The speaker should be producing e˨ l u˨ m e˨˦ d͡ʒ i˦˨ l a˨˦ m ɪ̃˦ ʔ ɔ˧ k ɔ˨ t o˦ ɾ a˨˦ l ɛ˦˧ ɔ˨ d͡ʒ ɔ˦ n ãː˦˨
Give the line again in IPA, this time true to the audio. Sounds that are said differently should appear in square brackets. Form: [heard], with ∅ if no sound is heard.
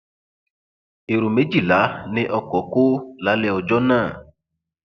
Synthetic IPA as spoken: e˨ [ɾ] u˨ m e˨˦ d͡ʒ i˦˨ l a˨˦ [n] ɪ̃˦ ʔ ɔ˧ k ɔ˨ [k] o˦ [l] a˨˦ l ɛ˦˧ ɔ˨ d͡ʒ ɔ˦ n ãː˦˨